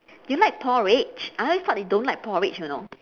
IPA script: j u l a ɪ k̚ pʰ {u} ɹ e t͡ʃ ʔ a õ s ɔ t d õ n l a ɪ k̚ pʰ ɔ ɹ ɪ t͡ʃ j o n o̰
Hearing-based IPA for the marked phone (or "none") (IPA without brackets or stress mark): ɔ